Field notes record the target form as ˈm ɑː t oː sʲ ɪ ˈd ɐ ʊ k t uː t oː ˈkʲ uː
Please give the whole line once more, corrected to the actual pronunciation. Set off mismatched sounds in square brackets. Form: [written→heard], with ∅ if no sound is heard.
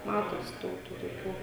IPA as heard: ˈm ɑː t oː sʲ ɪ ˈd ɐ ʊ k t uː t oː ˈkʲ uː